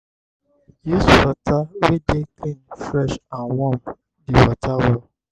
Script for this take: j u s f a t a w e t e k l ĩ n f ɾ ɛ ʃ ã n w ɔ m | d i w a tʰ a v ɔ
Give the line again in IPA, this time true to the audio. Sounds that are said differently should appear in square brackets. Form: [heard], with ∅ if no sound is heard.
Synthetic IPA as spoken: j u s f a t a w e [d] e k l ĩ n f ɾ ɛ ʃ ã n w ɔ m | d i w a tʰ a [w] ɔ